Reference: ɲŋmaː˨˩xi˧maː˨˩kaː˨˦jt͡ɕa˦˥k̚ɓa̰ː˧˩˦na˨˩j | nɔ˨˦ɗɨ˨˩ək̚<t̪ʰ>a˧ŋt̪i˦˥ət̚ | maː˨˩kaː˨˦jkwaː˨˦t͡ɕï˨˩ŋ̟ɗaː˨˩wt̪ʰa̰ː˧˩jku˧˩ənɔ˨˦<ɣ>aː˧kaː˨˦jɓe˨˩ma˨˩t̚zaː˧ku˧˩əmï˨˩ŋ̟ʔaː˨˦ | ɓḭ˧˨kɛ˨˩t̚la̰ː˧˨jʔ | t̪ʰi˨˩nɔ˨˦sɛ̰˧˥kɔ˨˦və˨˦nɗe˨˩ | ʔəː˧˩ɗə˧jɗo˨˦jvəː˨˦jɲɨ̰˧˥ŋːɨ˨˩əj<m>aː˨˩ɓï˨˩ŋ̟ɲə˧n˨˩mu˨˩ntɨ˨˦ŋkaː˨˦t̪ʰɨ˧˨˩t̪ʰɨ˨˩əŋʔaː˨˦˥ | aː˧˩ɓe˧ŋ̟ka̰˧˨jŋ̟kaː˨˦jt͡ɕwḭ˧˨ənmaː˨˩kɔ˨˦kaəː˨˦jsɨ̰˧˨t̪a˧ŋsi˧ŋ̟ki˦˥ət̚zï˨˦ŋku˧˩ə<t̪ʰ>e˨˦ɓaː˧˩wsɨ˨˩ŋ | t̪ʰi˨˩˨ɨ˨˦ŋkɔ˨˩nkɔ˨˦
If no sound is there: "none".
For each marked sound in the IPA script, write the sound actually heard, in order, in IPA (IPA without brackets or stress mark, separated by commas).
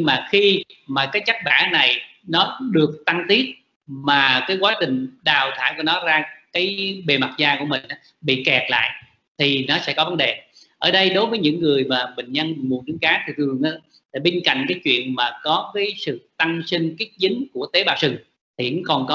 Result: t̪, z, m, t̪